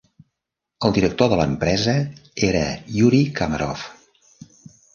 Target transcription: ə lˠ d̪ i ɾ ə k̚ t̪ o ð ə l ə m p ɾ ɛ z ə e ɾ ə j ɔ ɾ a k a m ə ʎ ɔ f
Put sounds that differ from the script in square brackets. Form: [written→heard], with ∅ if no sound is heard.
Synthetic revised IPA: ə lˠ d̪ i ɾ ə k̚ t̪ o ð ə l ə m p ɾ ɛ z ə e ɾ ə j [ɔ→u] ɾ [a→i] k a m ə [ʎ→ɾ] ɔ f